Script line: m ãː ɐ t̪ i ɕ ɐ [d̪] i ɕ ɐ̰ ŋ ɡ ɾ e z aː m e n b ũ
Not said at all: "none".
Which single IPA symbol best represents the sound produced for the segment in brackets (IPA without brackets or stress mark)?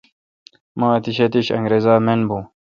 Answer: t̪